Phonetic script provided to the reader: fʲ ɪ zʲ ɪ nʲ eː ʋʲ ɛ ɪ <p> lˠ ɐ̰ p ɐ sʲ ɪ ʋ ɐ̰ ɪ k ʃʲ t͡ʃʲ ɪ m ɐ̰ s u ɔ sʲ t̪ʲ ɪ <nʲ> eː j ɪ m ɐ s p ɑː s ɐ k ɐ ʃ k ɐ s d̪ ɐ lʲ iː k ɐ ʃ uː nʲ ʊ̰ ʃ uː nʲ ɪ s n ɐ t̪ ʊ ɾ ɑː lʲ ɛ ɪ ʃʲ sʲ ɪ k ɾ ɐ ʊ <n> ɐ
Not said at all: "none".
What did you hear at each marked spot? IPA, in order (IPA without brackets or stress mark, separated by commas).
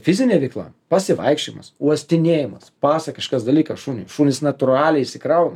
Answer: k, nʲ, n